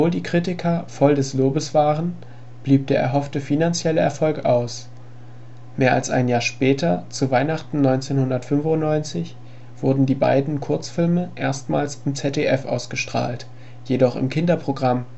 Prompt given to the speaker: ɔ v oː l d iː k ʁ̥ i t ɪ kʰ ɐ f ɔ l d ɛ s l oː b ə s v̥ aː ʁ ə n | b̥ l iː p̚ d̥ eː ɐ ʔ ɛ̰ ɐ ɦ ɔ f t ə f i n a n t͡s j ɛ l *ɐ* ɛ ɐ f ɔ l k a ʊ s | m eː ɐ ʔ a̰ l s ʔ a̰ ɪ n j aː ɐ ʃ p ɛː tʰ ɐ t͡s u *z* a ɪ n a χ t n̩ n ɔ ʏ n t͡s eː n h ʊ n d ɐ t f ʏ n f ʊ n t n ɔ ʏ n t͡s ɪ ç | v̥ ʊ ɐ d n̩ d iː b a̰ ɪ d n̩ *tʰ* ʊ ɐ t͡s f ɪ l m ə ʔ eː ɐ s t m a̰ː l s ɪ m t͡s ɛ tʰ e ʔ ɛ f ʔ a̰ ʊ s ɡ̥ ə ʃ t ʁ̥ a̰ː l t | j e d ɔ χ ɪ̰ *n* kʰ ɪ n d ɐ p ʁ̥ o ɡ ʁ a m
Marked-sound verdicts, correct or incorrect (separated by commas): incorrect, incorrect, incorrect, incorrect